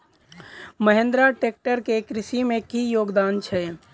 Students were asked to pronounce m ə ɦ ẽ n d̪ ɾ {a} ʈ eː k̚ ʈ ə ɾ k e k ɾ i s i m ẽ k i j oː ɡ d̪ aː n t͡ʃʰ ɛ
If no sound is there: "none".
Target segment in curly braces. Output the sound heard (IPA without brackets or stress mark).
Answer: a